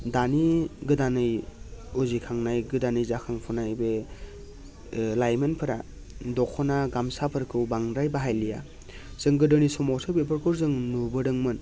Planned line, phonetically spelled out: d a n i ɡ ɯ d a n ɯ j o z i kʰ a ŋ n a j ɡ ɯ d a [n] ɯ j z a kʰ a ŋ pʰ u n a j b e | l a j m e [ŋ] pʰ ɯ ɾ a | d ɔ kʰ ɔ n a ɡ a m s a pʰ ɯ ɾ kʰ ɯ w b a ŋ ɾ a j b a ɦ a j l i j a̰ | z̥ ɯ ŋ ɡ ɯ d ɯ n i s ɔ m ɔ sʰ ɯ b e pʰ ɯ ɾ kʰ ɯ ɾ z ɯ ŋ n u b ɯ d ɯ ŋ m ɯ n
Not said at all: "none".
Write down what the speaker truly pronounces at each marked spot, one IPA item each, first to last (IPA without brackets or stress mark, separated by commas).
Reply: n, n